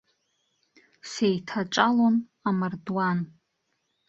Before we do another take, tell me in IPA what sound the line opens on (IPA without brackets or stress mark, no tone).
s